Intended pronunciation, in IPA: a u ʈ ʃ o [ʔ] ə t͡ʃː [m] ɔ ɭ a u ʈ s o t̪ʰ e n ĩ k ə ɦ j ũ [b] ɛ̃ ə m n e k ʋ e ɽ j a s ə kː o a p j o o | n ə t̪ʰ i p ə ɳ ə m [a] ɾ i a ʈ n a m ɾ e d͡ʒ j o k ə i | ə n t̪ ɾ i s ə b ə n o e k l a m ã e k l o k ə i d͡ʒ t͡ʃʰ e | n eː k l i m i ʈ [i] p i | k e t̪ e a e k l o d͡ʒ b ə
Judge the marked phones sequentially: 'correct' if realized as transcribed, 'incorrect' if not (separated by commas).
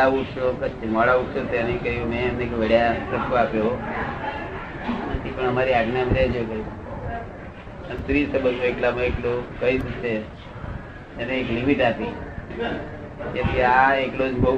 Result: incorrect, correct, incorrect, correct, incorrect